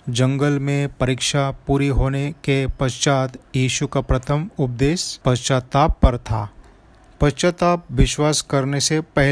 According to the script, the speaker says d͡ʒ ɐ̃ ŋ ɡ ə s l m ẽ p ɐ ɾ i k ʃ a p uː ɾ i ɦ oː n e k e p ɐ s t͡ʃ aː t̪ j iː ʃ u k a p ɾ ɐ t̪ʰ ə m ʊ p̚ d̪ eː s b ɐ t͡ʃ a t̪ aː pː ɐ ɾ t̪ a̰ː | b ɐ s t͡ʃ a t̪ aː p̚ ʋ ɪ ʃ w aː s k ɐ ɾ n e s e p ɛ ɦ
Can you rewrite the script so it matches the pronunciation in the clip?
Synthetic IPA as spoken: d͡ʒ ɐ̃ ŋ ɡ ə l m ẽ p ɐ ɾ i k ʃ a p uː ɾ i ɦ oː n e k e p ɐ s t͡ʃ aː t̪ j iː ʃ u k a p ɾ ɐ t̪ʰ ə m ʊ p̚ d̪ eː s p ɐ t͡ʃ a t̪ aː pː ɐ ɾ t̪ʰ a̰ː | p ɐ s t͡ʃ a t̪ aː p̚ ʋ ɪ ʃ w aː s k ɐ ɾ n e s e p ɛ ɦ